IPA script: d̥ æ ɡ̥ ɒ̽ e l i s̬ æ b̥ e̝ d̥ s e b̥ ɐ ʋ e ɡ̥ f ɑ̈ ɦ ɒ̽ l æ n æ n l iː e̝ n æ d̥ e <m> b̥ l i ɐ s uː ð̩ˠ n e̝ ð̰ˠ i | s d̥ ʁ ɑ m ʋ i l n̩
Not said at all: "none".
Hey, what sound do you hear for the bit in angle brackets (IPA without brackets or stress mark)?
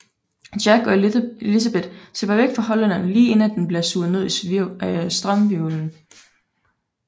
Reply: n